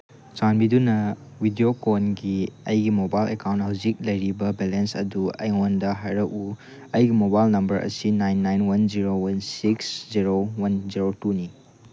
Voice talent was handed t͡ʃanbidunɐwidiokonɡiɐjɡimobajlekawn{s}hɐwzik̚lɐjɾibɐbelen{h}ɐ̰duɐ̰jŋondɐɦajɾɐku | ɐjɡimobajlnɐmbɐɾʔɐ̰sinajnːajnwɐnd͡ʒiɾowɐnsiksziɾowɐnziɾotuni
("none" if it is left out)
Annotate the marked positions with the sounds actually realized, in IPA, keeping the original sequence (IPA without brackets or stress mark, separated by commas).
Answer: t, s